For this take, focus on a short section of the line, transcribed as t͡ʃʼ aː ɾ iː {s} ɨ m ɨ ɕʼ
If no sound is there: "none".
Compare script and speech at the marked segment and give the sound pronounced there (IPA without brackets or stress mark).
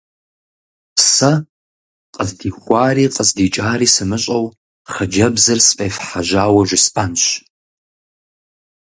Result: s